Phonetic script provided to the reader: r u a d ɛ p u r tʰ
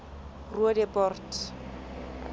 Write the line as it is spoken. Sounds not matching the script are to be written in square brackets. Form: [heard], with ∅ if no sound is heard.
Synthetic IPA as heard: r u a d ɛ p [ɔ] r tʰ